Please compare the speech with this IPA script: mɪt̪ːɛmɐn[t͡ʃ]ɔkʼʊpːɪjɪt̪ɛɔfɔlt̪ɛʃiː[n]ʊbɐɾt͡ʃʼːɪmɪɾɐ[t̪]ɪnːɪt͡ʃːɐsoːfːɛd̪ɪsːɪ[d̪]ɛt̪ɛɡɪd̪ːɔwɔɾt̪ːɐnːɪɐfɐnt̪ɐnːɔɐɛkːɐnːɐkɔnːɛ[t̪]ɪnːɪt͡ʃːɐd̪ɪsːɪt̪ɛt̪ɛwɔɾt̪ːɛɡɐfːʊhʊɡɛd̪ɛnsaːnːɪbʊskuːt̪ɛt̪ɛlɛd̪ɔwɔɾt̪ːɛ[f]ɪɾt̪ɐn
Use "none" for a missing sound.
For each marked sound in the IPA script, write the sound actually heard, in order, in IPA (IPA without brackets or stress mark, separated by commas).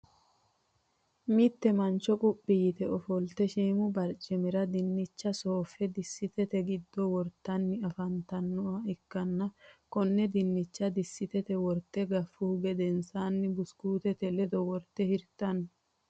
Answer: t͡ʃ, m, d̪, t̪, d̪, h